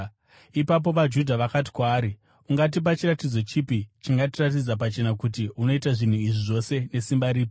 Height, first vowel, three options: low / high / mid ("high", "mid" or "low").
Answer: high